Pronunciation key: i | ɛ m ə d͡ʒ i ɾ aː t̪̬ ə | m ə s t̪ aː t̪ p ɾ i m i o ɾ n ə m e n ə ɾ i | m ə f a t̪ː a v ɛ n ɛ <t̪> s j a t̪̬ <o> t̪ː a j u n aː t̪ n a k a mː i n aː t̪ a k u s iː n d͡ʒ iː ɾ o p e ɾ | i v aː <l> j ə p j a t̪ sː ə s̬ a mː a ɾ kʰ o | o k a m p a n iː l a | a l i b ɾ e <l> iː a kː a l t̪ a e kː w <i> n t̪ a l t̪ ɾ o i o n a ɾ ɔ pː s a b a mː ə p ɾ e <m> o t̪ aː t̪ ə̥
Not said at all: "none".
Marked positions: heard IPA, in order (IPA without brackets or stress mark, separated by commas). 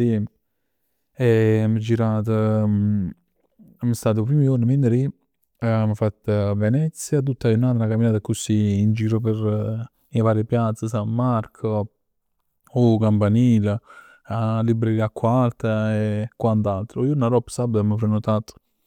t̪, u, ɾ, ɾ, a, n